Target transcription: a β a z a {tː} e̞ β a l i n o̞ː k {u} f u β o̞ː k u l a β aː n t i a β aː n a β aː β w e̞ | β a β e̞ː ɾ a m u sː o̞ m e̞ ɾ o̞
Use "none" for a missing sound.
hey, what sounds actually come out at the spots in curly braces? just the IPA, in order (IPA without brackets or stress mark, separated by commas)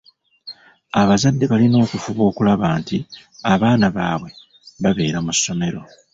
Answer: dː, u